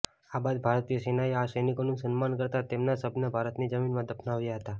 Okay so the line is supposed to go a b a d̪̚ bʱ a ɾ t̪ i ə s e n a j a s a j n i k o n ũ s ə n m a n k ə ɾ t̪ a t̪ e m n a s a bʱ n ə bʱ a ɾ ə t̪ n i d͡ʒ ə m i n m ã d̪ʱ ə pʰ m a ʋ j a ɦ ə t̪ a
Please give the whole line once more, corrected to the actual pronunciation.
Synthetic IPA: a b a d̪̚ bʱ a ɾ t̪ i ə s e n a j a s ə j n i k o n ũ s ə n m a n k ə ɾ t̪ a t̪ e m n a s ə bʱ n ə bʱ a ɾ ə t̪ n i d͡ʒ ə m i n m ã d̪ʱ ə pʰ n a ʋ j a ɦ ə t̪ a

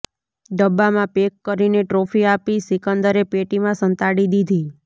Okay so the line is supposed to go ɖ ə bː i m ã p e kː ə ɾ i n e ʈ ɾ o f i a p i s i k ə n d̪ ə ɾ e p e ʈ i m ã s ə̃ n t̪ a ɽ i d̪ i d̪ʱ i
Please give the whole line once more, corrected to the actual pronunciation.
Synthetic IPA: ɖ ə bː a m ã p e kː ə ɾ i n e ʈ ɾ o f i a p i s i k ə n d̪ ə ɾ e p e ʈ i m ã s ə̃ n t̪ a ɽ i d̪ i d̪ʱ i

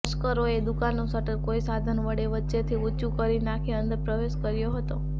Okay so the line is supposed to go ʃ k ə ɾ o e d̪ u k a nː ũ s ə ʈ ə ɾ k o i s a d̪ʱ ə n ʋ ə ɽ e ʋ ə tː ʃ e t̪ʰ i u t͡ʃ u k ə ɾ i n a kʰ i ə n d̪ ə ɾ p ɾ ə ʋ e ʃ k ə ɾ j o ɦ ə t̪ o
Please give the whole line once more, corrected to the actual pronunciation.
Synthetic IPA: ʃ k ə ɾ o e d̪ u k a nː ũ s ə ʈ ə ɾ k o i s a d̪ʱ ə n ʋ ə ɽ e ʋ ə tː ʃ e t̪ʰ i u t͡ʃ u k ə ɾ i n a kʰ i ə n d̪ ə ɾ p ɾ ə ʋ e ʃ k ə ɾ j o ɦ ə t̪ o

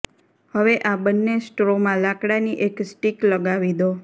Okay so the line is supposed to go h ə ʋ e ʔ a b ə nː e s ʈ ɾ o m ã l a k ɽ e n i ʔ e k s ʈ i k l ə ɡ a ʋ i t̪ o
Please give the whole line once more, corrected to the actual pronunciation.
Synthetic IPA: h ə ʋ e ʔ a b ə nː e s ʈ ɾ o m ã l a k ɽ a n i ʔ e k s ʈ i k l ə ɡ a ʋ i d̪ o

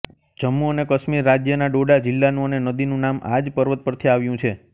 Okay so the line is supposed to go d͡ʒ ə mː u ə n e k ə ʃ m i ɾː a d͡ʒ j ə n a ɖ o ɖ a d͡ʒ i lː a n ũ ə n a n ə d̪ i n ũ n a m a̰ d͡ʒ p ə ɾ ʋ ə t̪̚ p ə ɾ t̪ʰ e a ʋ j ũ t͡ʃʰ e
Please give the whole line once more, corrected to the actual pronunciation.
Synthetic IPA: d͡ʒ ə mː u ə n e k ə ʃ m i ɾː a d͡ʒ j ə n a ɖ o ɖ a d͡ʒ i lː a n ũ ə n e n ə d̪ i n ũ n a m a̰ d͡ʒ p ə ɾ ʋ ə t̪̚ p ə ɾ t̪ʰ i a ʋ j ũ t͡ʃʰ e

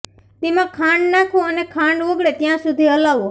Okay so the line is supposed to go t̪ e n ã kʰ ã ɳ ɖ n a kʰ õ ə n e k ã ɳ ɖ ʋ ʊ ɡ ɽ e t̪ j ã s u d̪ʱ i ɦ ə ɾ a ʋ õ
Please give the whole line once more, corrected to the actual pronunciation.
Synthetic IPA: t̪ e m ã kʰ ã ɳ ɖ n a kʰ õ ə n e kʰ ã ɳ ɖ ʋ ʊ ɡ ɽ e t̪ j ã s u d̪ʱ i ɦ ə l a ʋ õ

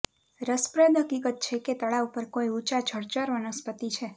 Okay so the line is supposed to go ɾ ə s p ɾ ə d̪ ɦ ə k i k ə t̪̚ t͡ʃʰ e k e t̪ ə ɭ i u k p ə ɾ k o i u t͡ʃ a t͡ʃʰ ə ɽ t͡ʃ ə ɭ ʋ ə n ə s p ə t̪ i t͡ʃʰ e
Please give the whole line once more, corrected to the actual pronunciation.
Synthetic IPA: ɾ ə s p ɾ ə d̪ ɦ ə k i k ə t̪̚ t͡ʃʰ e k e t̪ ə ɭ a u p ə ɾ k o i u t͡ʃ a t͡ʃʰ ə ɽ t͡ʃ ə ɾ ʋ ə n ə s p ə t̪ i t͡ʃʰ e

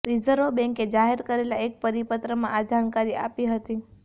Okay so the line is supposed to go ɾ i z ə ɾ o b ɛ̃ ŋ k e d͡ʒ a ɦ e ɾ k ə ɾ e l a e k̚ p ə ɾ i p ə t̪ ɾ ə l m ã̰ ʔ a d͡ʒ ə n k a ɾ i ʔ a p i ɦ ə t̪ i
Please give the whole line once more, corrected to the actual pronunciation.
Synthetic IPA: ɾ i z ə ɾ o b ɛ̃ ŋ k e d͡ʒ a ɦ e ɾ k ə ɾ e l a e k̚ p ə ɾ i p ə t̪ ɾ ə m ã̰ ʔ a d͡ʒ a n k a ɾ i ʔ a p i ɦ ə t̪ i

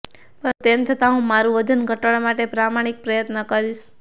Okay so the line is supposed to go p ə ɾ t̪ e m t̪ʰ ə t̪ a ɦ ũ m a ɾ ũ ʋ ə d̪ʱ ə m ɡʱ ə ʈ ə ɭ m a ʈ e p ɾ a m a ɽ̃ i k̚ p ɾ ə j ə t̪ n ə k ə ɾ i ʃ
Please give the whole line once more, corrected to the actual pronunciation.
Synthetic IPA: p ə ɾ t̪ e m t̪ʰ ə t̪ a ɦ ũ m a ɾ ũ ʋ ə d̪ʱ ə n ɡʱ ə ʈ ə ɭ m a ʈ e p ɾ a m a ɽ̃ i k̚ p ɾ ə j ə t̪ n ə k ə ɾ i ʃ

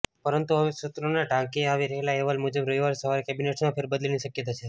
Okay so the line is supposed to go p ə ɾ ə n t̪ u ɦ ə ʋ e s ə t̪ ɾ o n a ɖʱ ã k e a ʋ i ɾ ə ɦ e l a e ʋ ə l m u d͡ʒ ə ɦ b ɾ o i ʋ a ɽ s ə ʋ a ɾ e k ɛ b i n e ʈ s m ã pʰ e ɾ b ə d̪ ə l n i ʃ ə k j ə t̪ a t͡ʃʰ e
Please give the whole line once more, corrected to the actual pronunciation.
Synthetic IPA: p ə ɾ ə n t̪ u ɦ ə ʋ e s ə t̪ ɾ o n a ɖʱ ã k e a ʋ i ɾ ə ɦ e l a e ʋ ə l m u d͡ʒ ə b ɾ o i ʋ a ɾ s ə ʋ a ɾ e k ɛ b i n e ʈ s m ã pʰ e ɾ b ə d̪ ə l n i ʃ ə k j ə t̪ a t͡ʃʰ e

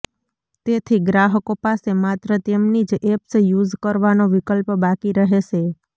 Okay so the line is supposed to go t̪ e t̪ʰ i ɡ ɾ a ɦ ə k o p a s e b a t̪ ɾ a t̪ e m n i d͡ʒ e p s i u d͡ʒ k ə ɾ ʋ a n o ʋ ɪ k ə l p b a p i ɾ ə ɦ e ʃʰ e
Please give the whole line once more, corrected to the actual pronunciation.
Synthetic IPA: t̪ e t̪ʰ i ɡ ɾ a ɦ ə k o p a s e m a t̪ ɾ ə t̪ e m n i d͡ʒ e p s j u d͡ʒ k ə ɾ ʋ a n o ʋ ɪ k ə l p b a k i ɾ ə ɦ e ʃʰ e

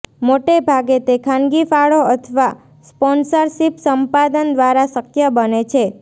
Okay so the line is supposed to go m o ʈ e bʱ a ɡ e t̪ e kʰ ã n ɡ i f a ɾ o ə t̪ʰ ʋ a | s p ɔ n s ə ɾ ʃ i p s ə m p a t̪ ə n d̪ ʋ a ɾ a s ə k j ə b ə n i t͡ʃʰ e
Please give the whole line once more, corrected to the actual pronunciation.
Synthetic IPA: m o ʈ e bʱ a ɡ e t̪ e kʰ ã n ɡ i f a ɭ o ə t̪ʰ ʋ a | s p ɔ n s ə ɾ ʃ i p s ə m p a d̪ ə n d̪ ʋ a ɾ a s ə k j ə b ə n e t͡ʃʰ e

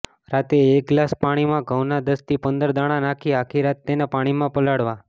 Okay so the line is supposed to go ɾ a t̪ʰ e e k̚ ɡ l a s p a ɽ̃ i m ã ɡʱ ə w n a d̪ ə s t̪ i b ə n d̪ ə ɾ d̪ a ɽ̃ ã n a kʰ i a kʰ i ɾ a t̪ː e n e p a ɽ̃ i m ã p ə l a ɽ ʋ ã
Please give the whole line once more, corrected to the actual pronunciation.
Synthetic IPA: ɾ a t̪ e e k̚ ɡ l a s p a ɽ̃ i m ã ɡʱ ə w n a d̪ ə s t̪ i p ə n d̪ ə ɾ d̪ a ɽ̃ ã n a kʰ i a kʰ i ɾ a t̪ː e n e p a ɽ̃ i m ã p ə l a ɽ ʋ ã

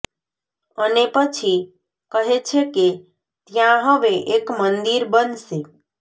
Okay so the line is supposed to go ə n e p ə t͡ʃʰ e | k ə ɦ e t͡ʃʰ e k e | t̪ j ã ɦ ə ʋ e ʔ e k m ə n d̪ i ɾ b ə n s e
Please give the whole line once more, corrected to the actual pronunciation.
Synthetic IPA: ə n e p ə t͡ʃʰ i | k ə ɦ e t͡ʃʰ e k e | t̪ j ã ɦ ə ʋ e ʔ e k m ə n d̪ i ɾ b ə n s e

